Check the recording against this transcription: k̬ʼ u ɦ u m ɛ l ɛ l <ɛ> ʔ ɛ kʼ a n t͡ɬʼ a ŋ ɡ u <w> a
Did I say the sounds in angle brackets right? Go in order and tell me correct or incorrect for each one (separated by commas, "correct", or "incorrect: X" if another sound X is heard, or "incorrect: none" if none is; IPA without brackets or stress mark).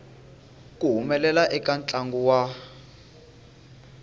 incorrect: a, correct